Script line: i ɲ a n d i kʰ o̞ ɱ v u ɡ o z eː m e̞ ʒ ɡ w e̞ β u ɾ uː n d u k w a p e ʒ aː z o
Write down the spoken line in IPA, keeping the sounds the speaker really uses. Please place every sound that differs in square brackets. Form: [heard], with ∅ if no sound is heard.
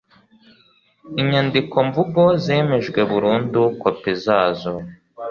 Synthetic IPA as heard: i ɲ a n d i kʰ o̞ ɱ v u ɡ o z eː m e̞ ʒ ɡ w e̞ β u ɾ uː n d u k w a p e [z] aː z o

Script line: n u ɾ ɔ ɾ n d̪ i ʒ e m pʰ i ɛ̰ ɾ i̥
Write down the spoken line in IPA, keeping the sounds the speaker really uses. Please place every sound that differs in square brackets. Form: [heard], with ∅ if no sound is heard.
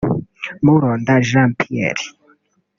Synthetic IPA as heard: [m] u ɾ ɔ [∅] n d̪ [a] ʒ [a] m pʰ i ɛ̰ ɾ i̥

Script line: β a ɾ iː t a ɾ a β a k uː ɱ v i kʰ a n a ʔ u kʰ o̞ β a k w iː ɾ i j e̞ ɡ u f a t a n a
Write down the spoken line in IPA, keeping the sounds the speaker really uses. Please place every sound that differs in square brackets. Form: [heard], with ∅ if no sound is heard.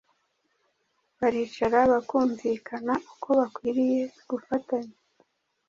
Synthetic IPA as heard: β a ɾ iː [t͡ʃ] a ɾ a β a k uː ɱ v i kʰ a n a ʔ u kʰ o̞ β a k w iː ɾ i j e̞ ɡ u f a t a [ɲ] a

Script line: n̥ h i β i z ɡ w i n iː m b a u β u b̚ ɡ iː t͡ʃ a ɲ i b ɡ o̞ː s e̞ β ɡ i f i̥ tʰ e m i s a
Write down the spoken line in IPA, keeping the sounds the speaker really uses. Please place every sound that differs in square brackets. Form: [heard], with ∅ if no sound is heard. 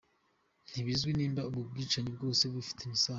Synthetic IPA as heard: n̥ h i β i z ɡ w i n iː m b a u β u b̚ ɡ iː t͡ʃ a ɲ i b ɡ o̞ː s e̞ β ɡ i f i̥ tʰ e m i s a

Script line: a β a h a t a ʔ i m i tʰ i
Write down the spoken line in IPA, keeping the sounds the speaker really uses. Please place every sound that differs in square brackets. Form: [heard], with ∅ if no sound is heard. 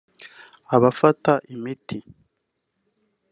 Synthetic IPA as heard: a β a [f] a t a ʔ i m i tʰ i

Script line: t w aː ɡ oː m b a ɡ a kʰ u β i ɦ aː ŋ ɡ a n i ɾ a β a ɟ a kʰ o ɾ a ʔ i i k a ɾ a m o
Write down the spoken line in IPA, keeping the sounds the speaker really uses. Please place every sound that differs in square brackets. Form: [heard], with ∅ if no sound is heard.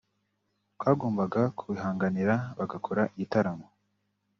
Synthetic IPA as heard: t w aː ɡ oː m b a ɡ a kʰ u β i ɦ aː ŋ ɡ a n i ɾ a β a [ɡ] a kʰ o ɾ a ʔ i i [t] a ɾ a m o

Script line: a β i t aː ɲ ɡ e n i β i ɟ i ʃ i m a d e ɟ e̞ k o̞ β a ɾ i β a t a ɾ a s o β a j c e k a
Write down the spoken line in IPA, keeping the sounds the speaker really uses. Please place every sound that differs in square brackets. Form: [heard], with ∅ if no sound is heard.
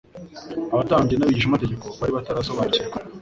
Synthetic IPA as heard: a β [a] t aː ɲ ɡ e n [a] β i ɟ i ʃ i m a [t] e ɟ e̞ k o̞ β a ɾ i β a t a ɾ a s o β a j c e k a

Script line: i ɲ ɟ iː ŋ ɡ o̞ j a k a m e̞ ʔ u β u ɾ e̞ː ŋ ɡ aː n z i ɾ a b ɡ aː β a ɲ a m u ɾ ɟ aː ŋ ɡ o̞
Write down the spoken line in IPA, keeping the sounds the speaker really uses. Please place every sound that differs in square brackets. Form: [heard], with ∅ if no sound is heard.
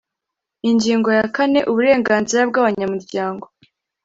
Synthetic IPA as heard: i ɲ ɟ iː ŋ ɡ o̞ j a k a [n] e̞ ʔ u β u ɾ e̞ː ŋ ɡ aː n z i ɾ a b ɡ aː β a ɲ a m u ɾ ɟ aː ŋ ɡ o̞

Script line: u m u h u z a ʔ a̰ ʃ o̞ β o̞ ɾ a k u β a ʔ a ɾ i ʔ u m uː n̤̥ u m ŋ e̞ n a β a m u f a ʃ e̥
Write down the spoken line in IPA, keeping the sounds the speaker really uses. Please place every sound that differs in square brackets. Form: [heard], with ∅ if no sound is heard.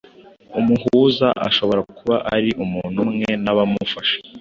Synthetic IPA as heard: u m u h u z a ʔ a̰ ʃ o̞ β o̞ ɾ a k u β a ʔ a ɾ i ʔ u m uː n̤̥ u m ŋ e̞ n a β a m u f a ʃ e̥

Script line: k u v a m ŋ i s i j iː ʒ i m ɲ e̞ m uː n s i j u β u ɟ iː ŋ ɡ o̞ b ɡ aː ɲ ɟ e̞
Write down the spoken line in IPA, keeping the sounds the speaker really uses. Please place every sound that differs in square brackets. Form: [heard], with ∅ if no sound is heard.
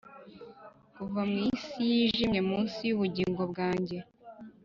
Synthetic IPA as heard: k u v a m ŋ i s i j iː ʒ i m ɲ e̞ m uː n s i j u β u ɟ iː ŋ ɡ o̞ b ɡ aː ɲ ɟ e̞

